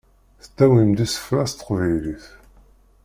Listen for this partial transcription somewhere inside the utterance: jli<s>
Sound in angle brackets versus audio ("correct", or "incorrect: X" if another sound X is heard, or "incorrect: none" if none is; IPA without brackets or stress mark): incorrect: θ